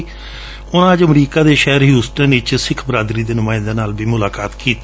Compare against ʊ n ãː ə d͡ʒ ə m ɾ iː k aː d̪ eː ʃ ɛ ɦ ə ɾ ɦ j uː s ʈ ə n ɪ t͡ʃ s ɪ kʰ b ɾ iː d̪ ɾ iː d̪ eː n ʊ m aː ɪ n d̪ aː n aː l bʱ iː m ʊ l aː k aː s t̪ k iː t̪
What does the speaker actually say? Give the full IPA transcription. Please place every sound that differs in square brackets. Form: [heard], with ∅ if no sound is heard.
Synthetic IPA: ʊ n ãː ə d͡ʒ ə m ɾ iː k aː d̪ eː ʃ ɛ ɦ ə ɾ ɦ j uː s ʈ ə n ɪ t͡ʃ s ɪ kʰ b ɾ [aː] d̪ ɾ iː d̪ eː n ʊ m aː ɪ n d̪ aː n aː l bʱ iː m ʊ l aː k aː [∅] t̪ k iː t̪